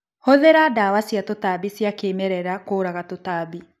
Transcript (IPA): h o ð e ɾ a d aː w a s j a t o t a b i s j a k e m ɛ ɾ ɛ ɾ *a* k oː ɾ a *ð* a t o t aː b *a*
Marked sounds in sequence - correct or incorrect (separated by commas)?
correct, incorrect, incorrect